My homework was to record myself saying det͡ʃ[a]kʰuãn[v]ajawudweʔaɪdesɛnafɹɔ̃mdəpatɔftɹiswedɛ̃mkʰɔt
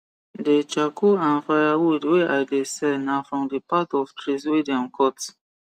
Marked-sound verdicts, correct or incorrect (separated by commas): correct, incorrect